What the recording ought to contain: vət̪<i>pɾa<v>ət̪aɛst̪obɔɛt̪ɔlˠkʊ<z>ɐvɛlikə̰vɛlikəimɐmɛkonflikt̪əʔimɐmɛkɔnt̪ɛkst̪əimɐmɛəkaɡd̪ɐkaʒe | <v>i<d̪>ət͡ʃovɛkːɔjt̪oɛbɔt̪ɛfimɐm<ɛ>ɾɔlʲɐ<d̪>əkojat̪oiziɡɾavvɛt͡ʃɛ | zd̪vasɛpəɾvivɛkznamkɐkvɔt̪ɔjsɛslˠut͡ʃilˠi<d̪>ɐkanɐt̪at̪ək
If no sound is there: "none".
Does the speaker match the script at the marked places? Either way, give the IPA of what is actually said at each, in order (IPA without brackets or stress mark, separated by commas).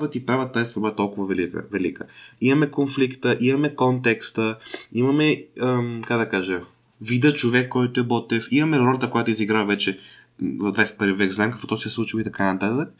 i, v, v, v, d̪, ɛ, t̪, t̪